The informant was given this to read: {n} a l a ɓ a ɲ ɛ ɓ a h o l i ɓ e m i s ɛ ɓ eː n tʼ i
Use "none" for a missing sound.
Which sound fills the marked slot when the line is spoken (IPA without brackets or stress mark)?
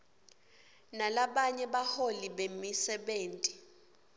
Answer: n